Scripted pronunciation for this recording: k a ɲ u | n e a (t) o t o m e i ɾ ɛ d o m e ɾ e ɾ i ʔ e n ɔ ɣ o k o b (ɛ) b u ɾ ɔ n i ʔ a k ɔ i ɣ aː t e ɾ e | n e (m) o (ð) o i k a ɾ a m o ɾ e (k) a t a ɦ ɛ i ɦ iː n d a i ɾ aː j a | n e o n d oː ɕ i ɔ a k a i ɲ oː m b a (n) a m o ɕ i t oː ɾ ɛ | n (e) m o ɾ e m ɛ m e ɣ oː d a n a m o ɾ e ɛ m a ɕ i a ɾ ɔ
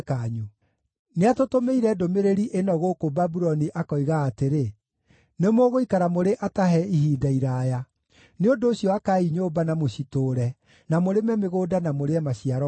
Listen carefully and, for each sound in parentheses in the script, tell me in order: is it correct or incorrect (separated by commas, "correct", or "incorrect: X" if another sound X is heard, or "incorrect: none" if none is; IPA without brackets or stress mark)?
correct, incorrect: a, correct, incorrect: ɣ, incorrect: ʔ, correct, incorrect: a